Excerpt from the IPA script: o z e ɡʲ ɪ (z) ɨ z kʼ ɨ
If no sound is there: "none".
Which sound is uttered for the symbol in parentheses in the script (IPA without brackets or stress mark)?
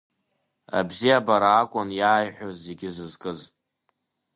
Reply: z